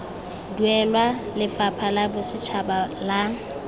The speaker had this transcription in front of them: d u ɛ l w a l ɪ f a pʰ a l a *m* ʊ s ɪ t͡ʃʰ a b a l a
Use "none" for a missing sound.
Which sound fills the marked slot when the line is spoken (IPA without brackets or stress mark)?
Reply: b